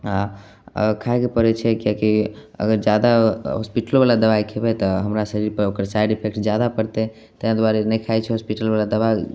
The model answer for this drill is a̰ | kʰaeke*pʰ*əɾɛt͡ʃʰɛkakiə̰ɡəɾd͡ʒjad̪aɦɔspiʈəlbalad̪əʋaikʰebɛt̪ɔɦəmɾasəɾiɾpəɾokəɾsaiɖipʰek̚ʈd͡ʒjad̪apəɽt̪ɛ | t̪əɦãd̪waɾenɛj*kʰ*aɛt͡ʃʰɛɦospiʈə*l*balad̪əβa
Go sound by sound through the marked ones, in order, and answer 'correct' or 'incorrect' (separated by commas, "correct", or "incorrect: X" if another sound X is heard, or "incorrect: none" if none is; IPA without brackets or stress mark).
incorrect: p, correct, correct